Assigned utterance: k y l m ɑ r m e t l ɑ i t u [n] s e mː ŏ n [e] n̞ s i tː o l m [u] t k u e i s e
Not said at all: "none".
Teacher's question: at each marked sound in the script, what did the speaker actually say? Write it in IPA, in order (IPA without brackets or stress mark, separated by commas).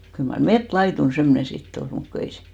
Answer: n, e, u